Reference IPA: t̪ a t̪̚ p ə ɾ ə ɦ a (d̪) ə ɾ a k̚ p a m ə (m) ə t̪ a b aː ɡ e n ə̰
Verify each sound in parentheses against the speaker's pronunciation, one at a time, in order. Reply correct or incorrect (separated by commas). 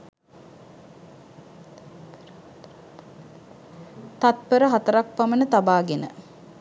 incorrect, incorrect